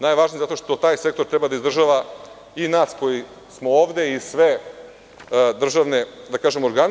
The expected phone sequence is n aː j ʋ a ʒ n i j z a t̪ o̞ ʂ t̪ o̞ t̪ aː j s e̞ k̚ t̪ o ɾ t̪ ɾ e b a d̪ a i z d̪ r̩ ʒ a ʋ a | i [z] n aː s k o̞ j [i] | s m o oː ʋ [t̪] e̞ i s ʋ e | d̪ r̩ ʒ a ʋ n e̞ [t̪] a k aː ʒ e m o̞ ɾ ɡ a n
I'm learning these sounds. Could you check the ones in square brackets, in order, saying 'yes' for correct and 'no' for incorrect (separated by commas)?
no, yes, no, no